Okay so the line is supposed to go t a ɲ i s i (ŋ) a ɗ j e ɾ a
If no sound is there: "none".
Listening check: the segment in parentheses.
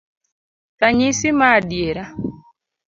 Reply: m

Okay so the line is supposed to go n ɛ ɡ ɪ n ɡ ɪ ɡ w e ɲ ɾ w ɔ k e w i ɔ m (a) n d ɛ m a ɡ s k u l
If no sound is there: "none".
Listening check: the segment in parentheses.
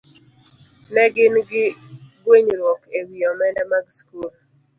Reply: ɛ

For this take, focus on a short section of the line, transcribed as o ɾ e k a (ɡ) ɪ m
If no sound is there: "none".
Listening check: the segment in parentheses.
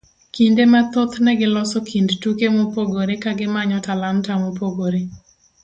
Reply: ɡ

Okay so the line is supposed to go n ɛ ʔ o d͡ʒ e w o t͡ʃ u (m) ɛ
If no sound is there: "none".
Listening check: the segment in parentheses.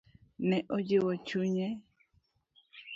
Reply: ɲ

